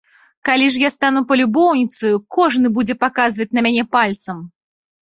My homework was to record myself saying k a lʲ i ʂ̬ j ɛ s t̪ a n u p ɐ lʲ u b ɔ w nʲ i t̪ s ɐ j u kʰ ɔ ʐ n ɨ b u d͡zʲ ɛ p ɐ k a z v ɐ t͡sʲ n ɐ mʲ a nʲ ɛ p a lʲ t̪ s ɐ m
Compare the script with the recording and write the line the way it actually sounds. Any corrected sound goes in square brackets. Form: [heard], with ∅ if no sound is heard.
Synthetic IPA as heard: k a lʲ i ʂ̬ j [a] s t̪ a n u p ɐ lʲ u b ɔ w nʲ i t̪ s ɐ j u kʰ ɔ ʐ n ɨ b u d͡zʲ ɛ p [a] k a z v ɐ t͡sʲ n ɐ mʲ a nʲ ɛ p a lʲ t̪ s ɐ m